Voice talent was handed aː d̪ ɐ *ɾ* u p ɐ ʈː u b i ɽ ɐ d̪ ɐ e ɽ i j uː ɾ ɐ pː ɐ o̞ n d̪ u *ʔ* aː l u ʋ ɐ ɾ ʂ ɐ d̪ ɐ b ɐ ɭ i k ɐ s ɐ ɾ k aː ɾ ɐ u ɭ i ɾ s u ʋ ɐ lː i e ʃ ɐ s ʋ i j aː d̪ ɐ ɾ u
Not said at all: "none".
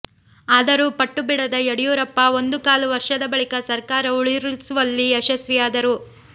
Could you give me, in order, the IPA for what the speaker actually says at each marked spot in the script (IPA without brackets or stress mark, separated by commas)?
ɾ, k